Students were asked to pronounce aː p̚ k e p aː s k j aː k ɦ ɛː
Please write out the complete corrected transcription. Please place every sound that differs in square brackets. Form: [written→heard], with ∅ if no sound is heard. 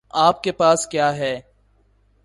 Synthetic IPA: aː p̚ k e p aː s k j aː [k→∅] ɦ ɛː